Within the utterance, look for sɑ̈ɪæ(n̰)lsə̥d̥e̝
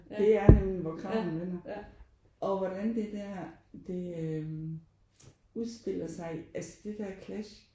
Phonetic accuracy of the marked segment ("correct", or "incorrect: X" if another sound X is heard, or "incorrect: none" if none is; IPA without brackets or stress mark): incorrect: none